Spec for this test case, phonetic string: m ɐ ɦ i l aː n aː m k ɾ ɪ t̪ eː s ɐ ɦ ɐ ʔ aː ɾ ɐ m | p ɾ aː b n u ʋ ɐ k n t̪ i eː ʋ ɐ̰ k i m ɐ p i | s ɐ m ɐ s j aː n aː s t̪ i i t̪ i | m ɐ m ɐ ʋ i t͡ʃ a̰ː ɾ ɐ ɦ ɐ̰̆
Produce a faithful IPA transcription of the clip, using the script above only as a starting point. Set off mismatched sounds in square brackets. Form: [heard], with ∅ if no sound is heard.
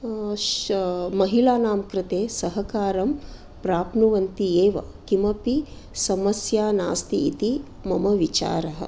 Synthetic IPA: m ɐ ɦ i l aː n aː m k ɾ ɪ t̪ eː s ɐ ɦ ɐ [k] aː ɾ ɐ m | p ɾ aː [p] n u ʋ ɐ [∅] n t̪ i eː ʋ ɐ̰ k i m ɐ p i | s ɐ m ɐ s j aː n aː s t̪ i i t̪ i | m ɐ m ɐ ʋ i t͡ʃ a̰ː ɾ ɐ ɦ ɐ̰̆